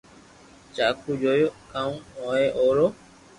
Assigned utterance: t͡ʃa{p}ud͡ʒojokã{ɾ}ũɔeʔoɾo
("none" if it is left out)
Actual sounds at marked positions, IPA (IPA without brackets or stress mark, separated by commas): k, none